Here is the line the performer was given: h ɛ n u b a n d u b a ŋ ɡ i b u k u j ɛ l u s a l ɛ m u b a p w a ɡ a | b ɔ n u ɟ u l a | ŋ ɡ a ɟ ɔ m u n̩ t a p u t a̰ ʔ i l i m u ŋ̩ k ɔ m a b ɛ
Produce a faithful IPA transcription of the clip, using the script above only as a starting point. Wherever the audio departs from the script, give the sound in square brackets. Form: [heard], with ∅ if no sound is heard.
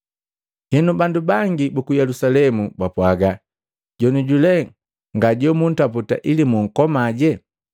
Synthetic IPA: h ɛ n u b a n d u b a ŋ ɡ i b u k u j ɛ l u s a l ɛ m u b a p w a ɡ a | [ɟ] ɔ n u ɟ u l [ɛ] | ŋ ɡ a ɟ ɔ m u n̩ t a p u t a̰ ʔ i l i m u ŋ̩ k ɔ m a [ɟ] ɛ

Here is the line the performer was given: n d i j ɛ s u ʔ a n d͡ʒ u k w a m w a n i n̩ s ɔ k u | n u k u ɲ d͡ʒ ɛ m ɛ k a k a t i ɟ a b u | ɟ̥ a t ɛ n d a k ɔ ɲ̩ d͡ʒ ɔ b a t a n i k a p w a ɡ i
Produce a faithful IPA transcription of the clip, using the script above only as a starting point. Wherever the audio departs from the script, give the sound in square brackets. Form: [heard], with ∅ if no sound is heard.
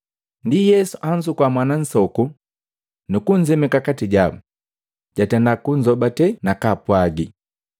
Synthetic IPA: n d i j ɛ s u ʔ a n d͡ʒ u k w a m w a n [a] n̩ s ɔ k u | n u k u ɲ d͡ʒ ɛ m ɛ k a k a t i ɟ a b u | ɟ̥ a t ɛ n d a k [u] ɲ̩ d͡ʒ ɔ b a t [ɛ] n [a] k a p w a ɡ i

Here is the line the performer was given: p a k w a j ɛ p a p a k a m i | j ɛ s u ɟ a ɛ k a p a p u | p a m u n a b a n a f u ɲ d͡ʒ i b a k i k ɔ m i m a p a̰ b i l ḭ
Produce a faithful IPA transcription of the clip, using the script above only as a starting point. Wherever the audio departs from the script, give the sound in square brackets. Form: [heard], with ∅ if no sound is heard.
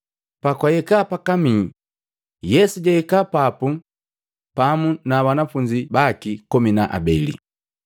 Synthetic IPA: p a k w a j ɛ [k] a p a k a m i | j ɛ s u ɟ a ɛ k a p a p u | p a m u n a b a n a f u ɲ d͡ʒ i b a k i k ɔ m i [n] a [ʔ] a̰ b [ɛ] l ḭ

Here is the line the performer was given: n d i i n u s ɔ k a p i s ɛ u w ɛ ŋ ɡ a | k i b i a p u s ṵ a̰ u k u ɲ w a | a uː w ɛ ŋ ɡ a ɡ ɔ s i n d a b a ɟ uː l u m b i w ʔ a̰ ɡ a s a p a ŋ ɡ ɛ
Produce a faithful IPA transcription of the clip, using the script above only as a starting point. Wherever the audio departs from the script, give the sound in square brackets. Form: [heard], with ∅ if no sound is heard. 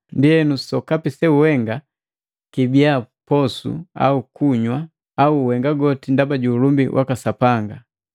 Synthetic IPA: n d i [ɛ] n u s ɔ k a p i s ɛ u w ɛ ŋ ɡ a | k i b i a p [ɔ] s ṵ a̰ u k u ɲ w a | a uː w ɛ ŋ ɡ a ɡ ɔ [t] i n d a b a ɟ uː l u m b i w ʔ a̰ [k] a s a p a ŋ ɡ [a]

